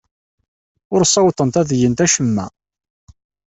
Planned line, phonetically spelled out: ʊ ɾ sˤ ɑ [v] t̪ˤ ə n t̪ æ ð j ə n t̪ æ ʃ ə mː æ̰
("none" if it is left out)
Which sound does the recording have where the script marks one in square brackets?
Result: w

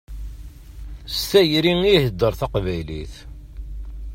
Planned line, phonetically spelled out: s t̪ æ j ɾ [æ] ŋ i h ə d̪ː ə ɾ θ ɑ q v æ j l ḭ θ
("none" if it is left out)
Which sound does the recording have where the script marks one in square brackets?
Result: i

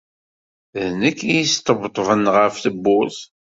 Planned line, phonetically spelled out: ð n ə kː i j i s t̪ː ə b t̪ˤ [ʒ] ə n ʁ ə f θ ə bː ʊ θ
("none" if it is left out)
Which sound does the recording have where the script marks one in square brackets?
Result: v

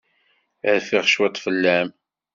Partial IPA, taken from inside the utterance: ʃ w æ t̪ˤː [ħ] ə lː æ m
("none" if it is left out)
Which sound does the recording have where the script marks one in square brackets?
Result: f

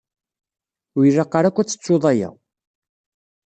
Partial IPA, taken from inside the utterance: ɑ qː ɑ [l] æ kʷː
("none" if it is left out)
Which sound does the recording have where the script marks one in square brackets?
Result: ɾ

